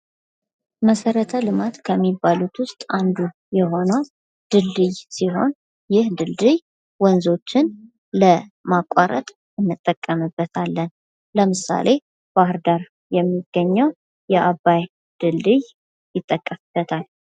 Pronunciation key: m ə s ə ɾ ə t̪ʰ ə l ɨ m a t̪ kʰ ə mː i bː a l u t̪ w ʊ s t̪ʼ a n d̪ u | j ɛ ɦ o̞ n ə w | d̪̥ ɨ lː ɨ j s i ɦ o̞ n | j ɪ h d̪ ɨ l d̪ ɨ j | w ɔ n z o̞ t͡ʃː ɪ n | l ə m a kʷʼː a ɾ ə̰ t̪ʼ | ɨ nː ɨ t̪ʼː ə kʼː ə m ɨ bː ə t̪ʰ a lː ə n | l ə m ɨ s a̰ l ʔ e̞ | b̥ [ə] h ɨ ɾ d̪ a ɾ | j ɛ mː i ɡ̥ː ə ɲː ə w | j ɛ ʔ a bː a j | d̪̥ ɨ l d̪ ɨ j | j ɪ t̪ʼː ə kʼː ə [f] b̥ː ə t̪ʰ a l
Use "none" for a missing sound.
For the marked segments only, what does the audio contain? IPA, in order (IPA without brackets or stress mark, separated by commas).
a, f